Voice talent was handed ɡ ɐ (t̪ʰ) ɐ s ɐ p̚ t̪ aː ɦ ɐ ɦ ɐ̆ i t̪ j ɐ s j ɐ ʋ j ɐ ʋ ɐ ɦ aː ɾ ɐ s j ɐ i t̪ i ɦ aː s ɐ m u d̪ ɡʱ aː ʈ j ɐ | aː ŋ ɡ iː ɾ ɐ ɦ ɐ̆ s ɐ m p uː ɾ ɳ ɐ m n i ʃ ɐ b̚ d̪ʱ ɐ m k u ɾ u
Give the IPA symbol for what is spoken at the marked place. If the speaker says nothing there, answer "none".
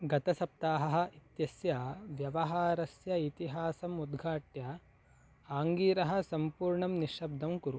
t̪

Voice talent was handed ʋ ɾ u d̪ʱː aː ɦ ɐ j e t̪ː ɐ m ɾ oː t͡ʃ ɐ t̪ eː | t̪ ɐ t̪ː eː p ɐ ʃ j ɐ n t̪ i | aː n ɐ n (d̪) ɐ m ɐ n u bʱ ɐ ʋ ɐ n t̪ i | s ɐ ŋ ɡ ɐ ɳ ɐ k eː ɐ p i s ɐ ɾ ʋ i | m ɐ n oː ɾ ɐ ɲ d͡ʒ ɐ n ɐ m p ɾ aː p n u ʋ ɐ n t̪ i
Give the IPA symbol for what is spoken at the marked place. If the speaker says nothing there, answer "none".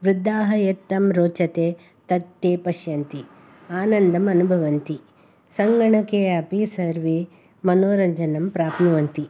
d̪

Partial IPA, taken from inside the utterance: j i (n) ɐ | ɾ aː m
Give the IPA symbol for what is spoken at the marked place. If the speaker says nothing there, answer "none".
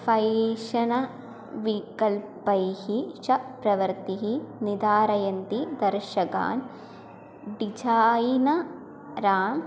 n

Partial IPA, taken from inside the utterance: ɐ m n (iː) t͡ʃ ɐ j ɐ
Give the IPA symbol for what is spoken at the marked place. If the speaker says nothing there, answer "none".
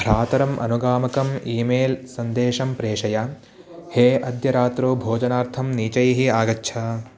iː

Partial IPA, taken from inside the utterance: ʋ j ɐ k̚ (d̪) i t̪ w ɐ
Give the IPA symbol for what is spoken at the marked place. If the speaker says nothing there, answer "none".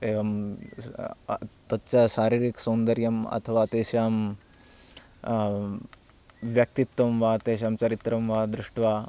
t̪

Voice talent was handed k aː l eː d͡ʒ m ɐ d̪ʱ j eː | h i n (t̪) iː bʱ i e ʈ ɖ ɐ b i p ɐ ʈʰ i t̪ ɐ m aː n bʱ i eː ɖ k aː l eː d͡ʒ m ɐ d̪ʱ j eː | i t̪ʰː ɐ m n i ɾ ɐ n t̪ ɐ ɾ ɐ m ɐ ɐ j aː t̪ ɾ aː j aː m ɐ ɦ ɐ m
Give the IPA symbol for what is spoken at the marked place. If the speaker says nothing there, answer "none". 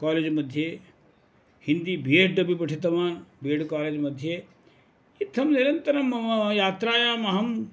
d̪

